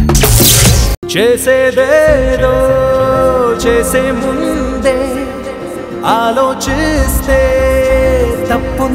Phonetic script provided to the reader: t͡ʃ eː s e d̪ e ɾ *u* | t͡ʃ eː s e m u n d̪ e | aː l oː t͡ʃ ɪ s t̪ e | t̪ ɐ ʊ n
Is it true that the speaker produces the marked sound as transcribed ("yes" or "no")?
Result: no